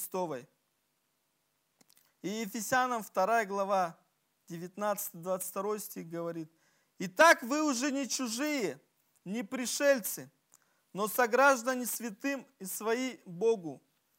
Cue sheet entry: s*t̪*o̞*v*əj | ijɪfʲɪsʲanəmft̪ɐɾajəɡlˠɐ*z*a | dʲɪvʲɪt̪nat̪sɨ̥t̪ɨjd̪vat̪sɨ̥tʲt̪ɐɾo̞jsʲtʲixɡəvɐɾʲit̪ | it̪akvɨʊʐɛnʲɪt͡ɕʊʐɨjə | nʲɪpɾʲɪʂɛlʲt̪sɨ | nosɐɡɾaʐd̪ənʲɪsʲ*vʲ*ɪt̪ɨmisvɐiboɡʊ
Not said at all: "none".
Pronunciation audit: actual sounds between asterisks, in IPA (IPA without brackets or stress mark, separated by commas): t̪, v, v, vʲ